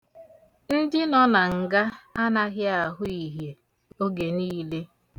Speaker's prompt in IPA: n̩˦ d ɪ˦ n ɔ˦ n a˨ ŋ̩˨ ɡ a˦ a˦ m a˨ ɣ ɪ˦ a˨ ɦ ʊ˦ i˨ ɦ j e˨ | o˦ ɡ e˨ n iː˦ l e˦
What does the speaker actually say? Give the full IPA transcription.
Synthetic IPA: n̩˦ d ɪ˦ n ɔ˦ n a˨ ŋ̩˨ ɡ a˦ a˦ n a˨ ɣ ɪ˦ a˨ ɦ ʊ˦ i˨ ɦ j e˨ | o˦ ɡ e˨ n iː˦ l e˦